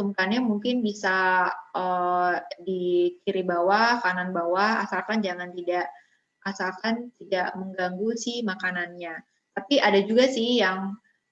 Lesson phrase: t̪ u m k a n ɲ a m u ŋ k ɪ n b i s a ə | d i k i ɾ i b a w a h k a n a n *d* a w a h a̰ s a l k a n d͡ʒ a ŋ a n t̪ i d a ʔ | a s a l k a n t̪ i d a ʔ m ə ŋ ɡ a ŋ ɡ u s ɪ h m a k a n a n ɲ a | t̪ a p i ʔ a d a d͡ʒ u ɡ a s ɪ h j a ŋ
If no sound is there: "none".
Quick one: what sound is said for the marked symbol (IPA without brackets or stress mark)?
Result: b